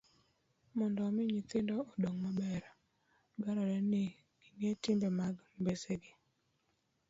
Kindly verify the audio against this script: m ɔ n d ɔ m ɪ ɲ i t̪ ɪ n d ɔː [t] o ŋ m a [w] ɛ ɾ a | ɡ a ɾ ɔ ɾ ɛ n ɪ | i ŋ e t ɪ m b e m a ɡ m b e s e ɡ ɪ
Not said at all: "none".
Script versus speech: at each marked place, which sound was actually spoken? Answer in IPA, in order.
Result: d, b

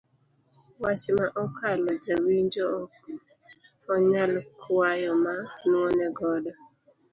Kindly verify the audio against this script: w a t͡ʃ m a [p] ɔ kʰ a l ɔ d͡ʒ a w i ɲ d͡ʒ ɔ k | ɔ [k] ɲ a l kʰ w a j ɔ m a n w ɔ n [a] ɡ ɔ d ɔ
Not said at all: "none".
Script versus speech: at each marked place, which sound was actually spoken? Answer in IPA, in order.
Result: ʔ, none, ɛ

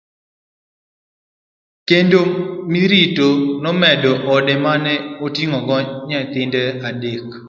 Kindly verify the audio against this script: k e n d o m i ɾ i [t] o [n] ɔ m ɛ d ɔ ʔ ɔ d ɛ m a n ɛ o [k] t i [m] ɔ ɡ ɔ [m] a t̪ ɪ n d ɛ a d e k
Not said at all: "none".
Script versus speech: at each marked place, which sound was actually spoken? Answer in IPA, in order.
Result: t, n, none, ŋ, ɲ

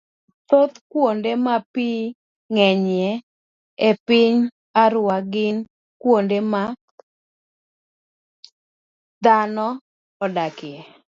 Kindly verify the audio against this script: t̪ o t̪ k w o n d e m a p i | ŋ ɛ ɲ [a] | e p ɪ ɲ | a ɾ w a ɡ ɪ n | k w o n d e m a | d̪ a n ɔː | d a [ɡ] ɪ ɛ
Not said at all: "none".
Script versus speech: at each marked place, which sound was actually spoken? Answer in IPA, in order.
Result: ɛ, k

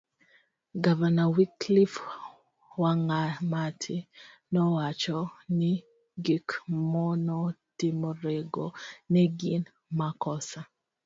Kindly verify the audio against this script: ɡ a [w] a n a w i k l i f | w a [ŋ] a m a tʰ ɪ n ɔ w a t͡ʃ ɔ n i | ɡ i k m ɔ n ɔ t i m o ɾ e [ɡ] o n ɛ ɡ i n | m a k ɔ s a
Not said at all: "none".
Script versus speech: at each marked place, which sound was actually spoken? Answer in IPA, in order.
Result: v, ŋ, ɡ

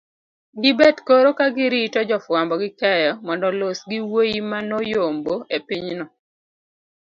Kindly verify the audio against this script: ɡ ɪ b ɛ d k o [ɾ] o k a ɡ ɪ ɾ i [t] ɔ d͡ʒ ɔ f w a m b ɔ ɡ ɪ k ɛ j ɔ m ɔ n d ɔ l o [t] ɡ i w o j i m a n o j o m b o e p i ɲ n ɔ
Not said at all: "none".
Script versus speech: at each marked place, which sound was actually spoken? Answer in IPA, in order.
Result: ɾ, t, s

